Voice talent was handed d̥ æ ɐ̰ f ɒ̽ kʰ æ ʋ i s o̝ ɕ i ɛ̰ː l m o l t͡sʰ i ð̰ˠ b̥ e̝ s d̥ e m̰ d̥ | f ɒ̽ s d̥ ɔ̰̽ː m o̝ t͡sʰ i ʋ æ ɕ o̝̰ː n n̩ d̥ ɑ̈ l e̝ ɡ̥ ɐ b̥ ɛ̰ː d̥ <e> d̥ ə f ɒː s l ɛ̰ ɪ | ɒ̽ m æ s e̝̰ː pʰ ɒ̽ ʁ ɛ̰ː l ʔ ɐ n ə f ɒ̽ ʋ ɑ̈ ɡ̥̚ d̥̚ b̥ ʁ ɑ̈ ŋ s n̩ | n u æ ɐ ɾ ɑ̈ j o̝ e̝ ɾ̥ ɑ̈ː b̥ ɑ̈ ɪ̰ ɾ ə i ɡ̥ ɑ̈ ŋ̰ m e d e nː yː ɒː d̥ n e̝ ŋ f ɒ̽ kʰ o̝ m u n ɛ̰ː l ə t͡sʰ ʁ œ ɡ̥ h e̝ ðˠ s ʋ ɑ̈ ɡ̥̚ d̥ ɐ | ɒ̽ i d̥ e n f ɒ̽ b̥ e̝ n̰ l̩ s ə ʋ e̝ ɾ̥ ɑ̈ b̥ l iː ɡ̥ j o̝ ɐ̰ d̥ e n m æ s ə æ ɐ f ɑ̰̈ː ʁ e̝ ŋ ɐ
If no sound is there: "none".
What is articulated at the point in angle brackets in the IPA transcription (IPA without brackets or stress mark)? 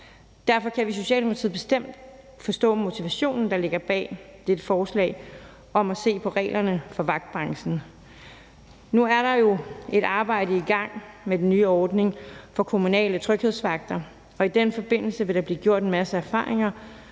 e